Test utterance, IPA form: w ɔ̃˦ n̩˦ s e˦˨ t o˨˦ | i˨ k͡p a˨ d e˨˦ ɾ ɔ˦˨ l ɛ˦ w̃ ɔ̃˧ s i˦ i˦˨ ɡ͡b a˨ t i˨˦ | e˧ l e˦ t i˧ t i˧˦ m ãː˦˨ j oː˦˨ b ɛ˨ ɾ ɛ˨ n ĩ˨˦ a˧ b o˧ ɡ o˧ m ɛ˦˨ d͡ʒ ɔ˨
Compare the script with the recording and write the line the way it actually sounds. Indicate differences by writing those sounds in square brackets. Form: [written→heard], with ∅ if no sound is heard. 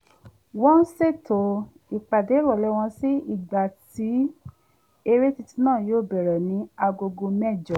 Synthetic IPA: w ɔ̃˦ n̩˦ s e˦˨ t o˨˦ | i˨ k͡p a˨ d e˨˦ ɾ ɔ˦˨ l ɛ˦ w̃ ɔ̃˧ s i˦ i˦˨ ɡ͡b a˨ t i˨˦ | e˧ [l→ɾ] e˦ t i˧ t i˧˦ [m→n] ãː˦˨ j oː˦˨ b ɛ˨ ɾ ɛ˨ n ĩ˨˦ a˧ [b→ɡ] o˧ ɡ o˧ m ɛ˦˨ d͡ʒ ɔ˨